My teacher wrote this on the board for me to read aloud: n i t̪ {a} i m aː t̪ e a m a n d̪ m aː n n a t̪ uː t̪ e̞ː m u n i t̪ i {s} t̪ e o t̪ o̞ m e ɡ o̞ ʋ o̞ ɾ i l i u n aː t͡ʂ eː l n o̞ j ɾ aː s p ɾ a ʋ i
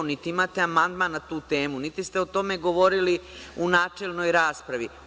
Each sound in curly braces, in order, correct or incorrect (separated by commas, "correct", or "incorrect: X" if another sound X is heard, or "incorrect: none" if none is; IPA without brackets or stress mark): incorrect: i, correct